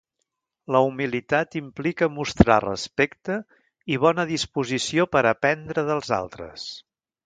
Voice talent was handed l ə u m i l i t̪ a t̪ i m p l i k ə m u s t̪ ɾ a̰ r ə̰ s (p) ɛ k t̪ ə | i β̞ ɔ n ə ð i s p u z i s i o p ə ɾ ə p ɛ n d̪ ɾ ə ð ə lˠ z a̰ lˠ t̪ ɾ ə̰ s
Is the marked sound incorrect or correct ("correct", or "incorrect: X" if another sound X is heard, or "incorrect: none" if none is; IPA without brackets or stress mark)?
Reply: correct